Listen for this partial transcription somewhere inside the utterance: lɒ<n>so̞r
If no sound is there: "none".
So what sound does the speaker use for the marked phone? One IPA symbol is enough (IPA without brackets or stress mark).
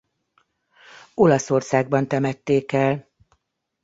none